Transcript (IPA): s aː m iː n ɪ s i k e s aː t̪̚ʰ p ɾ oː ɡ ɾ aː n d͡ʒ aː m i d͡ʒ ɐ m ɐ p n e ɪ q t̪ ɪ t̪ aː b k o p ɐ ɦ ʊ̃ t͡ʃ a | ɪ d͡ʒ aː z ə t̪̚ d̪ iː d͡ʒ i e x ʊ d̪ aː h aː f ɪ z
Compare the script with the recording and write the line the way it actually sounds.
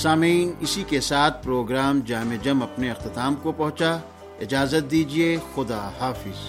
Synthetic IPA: s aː m iː n ɪ s i k e s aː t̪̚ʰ p ɾ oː ɡ ɾ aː m d͡ʒ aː m e d͡ʒ ɐ m ɐ p n e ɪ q t̪ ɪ t̪ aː m k o p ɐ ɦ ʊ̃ t͡ʃ a | ɪ d͡ʒ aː z ə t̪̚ d̪ iː d͡ʒ i e x ʊ d̪ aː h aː f ɪ z